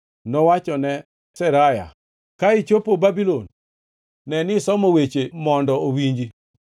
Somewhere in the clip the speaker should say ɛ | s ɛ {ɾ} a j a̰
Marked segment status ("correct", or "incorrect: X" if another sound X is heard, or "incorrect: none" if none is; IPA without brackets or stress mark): correct